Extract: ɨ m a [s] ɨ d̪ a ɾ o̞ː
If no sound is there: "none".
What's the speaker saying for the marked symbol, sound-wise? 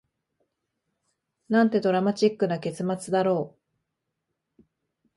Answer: t͡s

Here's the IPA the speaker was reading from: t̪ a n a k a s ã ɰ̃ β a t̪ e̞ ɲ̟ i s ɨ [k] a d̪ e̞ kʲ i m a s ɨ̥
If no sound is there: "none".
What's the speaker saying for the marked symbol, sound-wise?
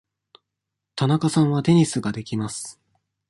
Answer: ɡ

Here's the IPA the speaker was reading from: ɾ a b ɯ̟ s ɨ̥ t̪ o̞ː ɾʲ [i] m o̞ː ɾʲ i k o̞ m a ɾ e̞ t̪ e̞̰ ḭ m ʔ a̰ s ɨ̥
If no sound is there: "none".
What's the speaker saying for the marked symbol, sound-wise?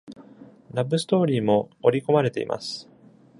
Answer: iː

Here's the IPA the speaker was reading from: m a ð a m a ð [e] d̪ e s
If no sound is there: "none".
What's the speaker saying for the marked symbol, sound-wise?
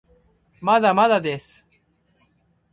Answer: a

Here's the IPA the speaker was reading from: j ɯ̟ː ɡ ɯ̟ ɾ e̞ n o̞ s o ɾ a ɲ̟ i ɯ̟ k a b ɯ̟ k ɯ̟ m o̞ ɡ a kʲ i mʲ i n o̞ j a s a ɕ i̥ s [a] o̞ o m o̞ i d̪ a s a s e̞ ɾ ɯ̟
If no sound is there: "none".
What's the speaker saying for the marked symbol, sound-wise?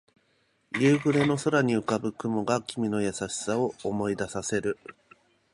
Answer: a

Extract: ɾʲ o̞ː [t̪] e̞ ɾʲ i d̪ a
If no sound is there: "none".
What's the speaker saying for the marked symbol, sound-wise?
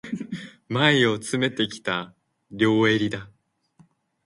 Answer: none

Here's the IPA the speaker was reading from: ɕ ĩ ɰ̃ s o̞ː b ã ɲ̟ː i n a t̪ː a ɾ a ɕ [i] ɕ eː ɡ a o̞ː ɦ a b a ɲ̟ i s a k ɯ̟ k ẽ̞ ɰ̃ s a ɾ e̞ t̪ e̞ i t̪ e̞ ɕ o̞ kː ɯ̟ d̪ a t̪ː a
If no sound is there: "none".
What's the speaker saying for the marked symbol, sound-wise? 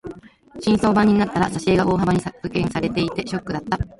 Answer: a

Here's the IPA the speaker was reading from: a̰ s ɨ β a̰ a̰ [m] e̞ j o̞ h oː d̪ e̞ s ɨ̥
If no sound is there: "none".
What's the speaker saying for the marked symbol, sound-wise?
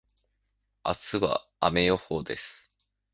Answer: m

